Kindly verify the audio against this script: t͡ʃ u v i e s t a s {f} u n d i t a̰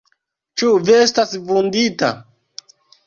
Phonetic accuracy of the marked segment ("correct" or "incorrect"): incorrect